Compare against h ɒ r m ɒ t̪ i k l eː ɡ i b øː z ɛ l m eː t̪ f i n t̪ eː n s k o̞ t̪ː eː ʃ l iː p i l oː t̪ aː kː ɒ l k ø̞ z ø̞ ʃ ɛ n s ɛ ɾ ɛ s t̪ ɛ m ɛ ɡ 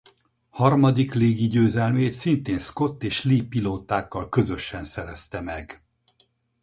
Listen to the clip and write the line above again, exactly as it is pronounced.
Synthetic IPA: h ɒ r m ɒ d̪ i k l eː ɡ i ɟ øː z ɛ l m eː t̪ s i n t̪ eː n s k o̞ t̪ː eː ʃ l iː p i l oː t̪ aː kː ɒ l k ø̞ z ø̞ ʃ ɛ n s ɛ ɾ ɛ s t̪ ɛ m ɛ ɡ